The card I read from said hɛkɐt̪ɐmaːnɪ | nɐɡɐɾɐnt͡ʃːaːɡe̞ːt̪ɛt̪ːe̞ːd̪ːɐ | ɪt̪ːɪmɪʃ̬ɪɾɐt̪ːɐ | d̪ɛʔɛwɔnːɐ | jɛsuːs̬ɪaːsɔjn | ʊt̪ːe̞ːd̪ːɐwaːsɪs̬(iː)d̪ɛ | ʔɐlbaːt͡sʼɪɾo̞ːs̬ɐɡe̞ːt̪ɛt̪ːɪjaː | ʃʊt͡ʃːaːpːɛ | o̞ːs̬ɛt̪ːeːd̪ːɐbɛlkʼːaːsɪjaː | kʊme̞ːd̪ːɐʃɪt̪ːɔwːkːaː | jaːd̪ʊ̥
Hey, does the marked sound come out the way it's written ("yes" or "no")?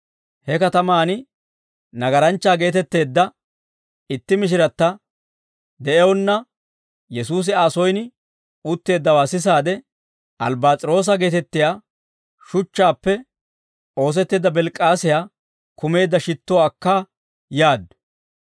no